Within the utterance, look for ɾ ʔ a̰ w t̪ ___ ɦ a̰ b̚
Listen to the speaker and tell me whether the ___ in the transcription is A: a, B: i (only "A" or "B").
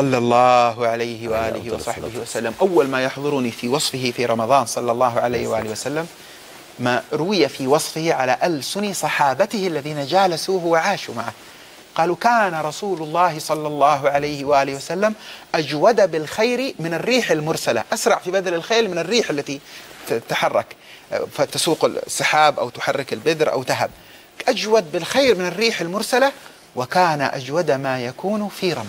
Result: A